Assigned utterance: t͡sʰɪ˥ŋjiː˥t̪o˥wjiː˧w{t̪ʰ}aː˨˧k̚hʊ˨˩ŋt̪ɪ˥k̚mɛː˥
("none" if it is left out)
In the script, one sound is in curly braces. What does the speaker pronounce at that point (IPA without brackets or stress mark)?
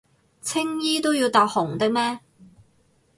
t̪